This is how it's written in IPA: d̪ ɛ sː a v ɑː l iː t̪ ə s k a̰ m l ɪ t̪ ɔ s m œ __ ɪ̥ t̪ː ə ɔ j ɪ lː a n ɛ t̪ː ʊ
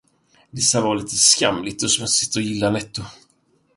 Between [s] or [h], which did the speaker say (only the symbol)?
s